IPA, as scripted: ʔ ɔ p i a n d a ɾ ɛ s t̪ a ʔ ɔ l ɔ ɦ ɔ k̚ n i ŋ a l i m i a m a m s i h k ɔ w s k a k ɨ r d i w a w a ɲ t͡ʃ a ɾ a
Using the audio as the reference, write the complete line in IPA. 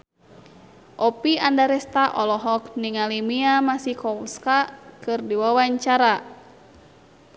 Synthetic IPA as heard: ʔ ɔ p i a n d a ɾ ɛ s t̪ a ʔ ɔ l ɔ ɦ ɔ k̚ n i ŋ a l i m i a m a s i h k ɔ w s k a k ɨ r d i w a w a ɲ t͡ʃ a ɾ a